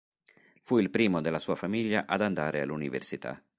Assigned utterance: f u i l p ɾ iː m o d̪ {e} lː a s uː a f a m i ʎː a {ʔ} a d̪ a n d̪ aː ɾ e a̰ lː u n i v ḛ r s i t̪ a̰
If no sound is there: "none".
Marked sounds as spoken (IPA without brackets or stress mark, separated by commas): e, ʔ